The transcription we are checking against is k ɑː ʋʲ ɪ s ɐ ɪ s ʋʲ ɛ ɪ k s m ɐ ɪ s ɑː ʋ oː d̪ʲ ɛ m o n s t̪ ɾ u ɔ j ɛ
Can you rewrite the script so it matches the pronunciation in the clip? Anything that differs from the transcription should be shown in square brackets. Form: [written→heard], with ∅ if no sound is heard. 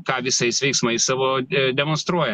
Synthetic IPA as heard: k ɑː ʋʲ ɪ s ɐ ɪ s ʋʲ ɛ ɪ k s m ɐ ɪ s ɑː ʋ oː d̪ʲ ɛ m o n s t̪ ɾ u ɔ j ɛ